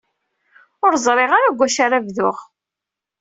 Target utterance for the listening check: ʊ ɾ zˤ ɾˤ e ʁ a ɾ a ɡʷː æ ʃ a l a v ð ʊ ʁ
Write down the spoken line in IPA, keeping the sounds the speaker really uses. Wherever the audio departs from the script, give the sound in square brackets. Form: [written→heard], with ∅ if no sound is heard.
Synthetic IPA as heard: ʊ ɾ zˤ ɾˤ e ʁ a ɾ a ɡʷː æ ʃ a [l→ɾ] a v ð ʊ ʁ